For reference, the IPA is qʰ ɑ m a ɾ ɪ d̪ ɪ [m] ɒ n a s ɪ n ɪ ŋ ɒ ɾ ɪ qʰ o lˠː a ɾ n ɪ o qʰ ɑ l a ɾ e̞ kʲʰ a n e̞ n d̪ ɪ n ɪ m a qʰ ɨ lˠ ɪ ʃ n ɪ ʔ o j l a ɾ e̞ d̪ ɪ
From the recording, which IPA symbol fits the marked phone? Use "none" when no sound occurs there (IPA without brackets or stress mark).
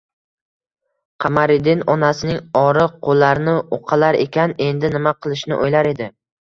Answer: n